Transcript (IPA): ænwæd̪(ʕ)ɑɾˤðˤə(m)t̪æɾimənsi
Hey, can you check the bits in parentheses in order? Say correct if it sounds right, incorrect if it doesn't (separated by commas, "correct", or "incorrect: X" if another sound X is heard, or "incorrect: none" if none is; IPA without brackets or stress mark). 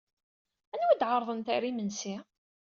correct, incorrect: n